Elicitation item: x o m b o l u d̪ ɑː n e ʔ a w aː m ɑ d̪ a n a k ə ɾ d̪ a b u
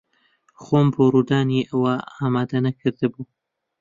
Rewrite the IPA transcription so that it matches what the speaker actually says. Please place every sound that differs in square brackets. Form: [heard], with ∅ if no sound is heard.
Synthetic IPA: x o m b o [ɾ] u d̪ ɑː n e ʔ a w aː m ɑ d̪ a n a k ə ɾ d̪ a b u

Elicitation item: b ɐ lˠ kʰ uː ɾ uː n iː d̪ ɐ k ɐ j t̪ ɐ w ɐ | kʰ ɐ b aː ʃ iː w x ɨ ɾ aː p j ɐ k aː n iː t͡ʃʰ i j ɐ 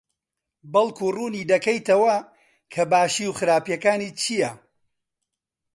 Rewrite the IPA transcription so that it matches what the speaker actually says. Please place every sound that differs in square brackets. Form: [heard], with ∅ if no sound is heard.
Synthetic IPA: b ɐ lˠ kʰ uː [r] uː n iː d̪ ɐ k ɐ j t̪ ɐ w ɐ | kʰ ɐ b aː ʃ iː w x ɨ ɾ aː p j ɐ k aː n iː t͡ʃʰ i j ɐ

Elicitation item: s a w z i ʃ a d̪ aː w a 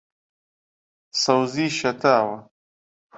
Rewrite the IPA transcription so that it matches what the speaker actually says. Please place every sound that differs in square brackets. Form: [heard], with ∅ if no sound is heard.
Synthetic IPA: s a w z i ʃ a [t̪] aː w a

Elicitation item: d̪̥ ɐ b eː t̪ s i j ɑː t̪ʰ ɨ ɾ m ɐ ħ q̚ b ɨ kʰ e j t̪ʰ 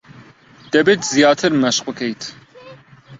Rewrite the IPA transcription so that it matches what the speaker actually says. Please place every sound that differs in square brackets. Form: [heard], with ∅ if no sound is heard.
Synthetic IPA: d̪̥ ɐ b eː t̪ [z] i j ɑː t̪ʰ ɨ ɾ m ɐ [ʃ] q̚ b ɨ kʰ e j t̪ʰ

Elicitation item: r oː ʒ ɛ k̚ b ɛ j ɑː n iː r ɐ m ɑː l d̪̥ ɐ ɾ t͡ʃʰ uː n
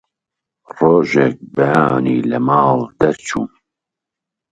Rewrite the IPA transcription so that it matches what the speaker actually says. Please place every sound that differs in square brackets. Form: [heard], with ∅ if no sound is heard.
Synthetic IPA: r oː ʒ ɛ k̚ b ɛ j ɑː n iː [l] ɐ m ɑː l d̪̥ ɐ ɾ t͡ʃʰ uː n

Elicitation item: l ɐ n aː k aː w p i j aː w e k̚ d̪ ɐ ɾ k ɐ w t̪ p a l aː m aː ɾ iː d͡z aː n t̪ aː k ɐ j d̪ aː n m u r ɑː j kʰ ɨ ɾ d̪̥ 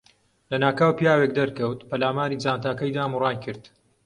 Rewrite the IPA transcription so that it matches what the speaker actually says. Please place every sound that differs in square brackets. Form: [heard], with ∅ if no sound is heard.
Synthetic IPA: l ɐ n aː k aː w p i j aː w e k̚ d̪ ɐ ɾ k ɐ w t̪ p [ɐ] l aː m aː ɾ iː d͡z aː n t̪ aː k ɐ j d̪ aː [∅] m u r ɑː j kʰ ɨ ɾ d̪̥

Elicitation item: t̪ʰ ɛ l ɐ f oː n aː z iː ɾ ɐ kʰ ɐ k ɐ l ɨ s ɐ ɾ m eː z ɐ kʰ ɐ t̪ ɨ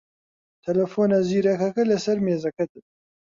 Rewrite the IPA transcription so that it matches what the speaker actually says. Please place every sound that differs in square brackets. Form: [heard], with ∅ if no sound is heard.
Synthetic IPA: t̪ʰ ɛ l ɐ f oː n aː z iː ɾ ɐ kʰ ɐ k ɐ l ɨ s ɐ ɾ m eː z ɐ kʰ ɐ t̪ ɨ

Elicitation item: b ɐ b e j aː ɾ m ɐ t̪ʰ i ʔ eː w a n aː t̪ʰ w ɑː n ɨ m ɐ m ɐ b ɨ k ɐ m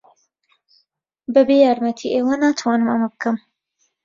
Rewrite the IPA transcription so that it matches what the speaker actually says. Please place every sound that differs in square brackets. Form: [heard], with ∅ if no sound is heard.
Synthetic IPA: b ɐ b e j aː ɾ m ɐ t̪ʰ i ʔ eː w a n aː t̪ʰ w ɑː n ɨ m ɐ m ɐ b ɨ k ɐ m

